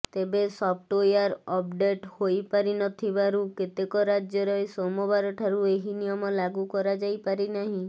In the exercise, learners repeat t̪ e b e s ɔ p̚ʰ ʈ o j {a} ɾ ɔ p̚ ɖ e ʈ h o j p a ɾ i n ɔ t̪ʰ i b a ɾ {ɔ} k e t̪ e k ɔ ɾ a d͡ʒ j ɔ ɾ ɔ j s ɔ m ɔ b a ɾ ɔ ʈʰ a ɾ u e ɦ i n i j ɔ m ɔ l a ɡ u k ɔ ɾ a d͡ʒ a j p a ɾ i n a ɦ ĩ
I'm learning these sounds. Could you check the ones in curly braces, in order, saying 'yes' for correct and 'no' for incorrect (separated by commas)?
yes, no